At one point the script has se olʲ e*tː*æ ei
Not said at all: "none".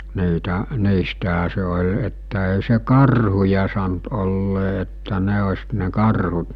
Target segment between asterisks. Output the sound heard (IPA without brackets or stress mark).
tː